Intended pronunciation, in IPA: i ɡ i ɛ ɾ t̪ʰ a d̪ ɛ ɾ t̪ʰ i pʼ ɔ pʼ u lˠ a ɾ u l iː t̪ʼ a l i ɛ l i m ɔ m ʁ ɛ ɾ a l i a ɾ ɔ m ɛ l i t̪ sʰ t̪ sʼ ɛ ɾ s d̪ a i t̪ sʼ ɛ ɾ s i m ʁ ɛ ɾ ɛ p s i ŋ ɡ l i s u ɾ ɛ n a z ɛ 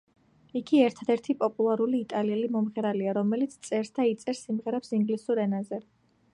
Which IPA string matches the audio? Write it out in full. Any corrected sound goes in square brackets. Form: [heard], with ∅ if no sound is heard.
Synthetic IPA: i ɡ i ɛ ɾ t̪ʰ a d̪ ɛ ɾ t̪ʰ i pʼ ɔ pʼ u lˠ a ɾ u l iː t̪ʼ a l i ɛ l i m ɔ m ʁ ɛ ɾ a l i a ɾ ɔ m ɛ l i t̪ sʰ t̪ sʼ ɛ ɾ s d̪ a i t̪ sʼ ɛ ɾ s i m ʁ ɛ ɾ ɛ p s i ŋ ɡ l i s u ɾ ɛ n a z ɛ